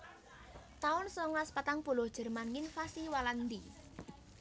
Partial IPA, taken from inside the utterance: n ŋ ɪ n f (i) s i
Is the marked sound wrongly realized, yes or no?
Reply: yes